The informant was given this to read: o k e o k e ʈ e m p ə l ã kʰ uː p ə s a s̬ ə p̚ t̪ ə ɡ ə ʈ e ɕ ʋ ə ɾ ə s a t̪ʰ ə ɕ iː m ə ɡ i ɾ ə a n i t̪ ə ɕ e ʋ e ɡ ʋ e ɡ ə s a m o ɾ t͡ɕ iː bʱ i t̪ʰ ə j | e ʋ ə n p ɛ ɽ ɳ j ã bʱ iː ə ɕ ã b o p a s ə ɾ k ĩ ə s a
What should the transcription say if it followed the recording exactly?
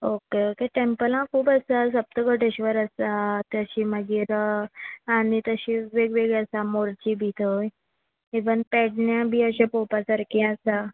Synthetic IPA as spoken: o k e o k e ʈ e m p ə l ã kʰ uː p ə s a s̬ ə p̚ t̪ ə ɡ ə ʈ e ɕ ʋ ə ɾ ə s a t̪ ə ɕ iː m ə ɡ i ɾ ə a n i t̪ ə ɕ i ʋ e ɡ ʋ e ɡ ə s a m o ɾ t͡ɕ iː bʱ i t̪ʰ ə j | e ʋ ə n p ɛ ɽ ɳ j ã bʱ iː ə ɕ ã p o p a s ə ɾ k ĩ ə s a